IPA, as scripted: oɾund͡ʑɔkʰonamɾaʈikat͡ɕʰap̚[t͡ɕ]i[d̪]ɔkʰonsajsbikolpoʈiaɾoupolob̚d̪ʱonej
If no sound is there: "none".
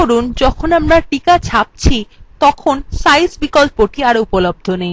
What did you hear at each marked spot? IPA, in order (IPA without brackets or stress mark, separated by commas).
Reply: t͡ɕʰ, t̪